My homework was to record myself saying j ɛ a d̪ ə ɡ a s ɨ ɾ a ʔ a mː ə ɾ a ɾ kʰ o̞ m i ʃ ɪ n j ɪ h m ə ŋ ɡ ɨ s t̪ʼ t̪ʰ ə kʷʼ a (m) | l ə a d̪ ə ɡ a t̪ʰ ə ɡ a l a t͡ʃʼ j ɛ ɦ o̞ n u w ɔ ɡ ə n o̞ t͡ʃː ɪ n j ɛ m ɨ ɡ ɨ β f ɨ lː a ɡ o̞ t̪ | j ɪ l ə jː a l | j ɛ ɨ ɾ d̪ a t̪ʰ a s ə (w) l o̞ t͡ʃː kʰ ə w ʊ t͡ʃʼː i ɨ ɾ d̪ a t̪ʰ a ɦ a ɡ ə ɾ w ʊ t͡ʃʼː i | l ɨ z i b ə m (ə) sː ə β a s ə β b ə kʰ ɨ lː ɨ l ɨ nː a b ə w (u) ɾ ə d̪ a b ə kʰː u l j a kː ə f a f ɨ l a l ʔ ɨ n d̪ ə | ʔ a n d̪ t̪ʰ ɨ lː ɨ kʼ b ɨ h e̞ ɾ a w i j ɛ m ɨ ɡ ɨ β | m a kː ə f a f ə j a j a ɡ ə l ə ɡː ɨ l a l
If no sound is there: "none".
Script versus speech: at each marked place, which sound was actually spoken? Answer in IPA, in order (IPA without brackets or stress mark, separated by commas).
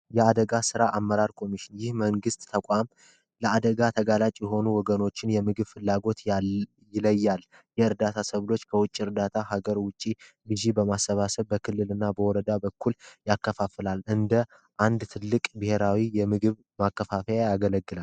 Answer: m, β, a, ɔ